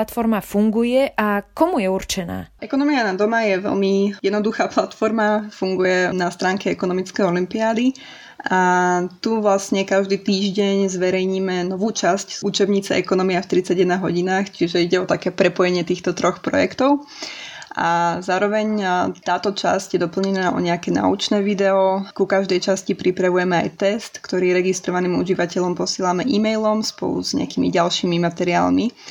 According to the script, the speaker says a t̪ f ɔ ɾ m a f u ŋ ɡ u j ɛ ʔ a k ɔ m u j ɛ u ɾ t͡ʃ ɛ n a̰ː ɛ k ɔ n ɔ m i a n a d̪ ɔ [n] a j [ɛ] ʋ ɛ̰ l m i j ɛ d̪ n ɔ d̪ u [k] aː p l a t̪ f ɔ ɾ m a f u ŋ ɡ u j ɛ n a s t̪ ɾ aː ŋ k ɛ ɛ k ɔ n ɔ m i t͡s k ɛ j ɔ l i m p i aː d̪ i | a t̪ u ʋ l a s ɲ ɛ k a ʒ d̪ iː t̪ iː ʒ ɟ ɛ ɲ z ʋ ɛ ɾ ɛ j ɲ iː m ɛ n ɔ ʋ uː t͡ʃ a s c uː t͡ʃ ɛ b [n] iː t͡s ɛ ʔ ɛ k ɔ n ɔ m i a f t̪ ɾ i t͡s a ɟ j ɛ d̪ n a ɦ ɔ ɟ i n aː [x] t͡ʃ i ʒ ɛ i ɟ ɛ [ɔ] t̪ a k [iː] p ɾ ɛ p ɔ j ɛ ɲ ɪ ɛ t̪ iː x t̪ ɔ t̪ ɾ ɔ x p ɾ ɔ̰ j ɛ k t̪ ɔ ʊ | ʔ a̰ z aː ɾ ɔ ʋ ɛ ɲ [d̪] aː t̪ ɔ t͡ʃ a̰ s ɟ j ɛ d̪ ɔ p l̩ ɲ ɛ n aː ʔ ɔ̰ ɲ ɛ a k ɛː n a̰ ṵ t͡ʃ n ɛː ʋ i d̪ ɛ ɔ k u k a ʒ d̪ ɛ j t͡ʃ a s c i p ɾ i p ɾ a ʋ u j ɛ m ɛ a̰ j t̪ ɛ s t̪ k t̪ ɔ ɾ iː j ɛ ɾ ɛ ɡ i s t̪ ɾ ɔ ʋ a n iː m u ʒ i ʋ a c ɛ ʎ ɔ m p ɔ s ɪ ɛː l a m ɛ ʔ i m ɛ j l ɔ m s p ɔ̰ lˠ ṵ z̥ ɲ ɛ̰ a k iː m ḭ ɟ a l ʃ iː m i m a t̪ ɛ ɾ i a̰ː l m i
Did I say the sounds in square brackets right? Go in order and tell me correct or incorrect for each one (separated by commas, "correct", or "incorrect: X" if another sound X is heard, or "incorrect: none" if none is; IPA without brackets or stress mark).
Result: incorrect: m, correct, incorrect: x, incorrect: ɲ, correct, correct, incorrect: ɛː, incorrect: t̪